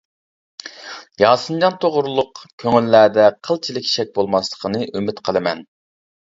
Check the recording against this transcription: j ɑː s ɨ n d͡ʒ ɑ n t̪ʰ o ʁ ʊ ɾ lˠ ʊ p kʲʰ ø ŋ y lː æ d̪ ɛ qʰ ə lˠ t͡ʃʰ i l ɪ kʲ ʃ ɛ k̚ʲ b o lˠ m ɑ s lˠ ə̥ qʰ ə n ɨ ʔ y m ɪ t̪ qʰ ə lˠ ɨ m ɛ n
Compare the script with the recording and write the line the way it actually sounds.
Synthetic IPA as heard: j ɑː s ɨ n d͡ʒ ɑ n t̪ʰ o ʁ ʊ ɾ lˠ ʊ q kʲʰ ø ŋ y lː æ d̪ ɛ qʰ ə lˠ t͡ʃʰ i l ɪ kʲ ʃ ɛ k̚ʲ b o lˠ m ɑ s lˠ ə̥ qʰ ə n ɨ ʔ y m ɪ t̪ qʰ ə lˠ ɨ m ɛ n